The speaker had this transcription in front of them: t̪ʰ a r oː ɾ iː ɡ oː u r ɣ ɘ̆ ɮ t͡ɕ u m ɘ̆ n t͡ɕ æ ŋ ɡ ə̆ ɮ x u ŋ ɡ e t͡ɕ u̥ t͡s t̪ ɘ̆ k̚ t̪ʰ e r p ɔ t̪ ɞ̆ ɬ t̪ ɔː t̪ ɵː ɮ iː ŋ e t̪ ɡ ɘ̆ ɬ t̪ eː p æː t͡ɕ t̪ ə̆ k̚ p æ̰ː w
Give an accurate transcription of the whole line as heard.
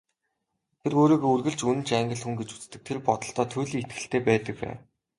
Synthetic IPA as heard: t̪ʰ e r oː ɾ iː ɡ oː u r ɣ ɘ̆ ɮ t͡ɕ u n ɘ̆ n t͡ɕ æ ŋ ɡ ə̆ ɮ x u ŋ ɡ e t͡ɕ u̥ t͡s t̪ ɘ̆ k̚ t̪ʰ e r p ɔ t̪ ɞ̆ ɬ t̪ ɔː t̪ʰ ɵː ɮ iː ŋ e t̪ ɡ ɘ̆ ɬ t̪ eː p æː t̪ ə̆ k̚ p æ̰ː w